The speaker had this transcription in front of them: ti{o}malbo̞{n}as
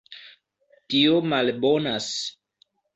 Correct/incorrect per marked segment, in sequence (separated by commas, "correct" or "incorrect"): correct, correct